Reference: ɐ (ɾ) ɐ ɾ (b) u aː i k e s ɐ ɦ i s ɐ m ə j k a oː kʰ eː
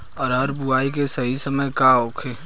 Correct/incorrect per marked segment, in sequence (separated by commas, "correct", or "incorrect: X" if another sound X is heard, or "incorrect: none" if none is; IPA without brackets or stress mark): correct, correct